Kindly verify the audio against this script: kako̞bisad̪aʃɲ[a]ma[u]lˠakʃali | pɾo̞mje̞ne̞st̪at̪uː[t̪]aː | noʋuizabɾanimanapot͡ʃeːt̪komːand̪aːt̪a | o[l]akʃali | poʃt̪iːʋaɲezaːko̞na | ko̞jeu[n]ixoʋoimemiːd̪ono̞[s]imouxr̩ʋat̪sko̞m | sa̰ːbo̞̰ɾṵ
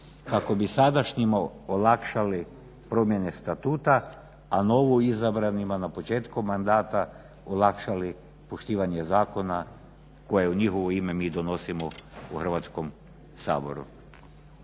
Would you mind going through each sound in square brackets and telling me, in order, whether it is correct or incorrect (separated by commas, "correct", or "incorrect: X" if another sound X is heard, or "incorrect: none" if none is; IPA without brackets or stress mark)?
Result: incorrect: i, incorrect: o, correct, correct, incorrect: ɲ, correct